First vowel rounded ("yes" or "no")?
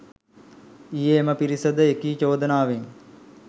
no